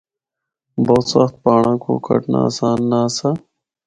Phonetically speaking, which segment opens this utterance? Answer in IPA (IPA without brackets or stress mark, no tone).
b